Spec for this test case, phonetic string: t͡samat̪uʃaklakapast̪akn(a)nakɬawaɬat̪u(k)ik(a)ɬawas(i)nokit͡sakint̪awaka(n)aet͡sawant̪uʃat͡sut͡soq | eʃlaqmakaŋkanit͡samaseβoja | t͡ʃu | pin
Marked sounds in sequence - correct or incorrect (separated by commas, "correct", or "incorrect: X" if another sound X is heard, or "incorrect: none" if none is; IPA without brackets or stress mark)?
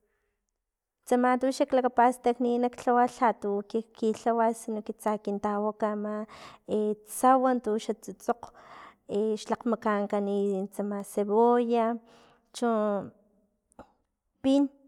incorrect: i, correct, incorrect: i, correct, incorrect: m